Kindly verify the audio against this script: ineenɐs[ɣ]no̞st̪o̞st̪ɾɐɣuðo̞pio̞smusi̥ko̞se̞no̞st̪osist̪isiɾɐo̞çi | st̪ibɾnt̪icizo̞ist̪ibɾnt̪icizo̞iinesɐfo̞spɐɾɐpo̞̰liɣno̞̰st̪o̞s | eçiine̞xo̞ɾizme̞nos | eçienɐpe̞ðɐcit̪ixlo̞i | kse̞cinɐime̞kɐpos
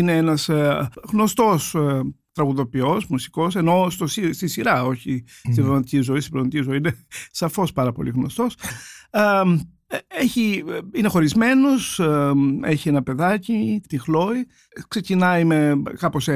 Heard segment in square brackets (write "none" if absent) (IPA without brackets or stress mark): ɣ